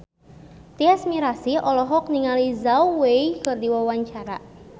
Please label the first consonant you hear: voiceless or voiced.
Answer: voiceless